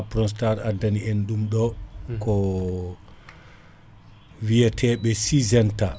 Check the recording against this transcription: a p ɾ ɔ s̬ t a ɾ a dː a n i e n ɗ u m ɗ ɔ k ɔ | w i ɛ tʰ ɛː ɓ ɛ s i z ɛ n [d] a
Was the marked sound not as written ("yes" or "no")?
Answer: yes